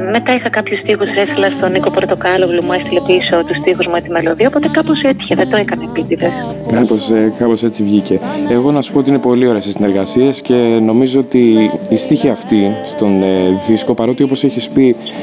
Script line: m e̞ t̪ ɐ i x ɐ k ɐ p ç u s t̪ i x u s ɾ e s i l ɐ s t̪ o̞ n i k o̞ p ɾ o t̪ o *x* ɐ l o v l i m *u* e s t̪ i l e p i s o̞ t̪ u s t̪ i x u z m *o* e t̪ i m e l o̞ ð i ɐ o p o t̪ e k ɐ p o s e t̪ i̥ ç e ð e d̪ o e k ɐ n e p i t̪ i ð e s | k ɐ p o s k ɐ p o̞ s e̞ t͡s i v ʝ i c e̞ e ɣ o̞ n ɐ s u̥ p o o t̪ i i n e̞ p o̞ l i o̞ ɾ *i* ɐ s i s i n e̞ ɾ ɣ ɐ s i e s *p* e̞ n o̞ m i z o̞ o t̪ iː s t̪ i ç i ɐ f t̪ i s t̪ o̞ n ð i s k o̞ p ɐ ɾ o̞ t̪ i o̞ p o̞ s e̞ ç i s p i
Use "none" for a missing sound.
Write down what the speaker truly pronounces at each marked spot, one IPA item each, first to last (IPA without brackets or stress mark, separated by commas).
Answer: k, u, u, e, c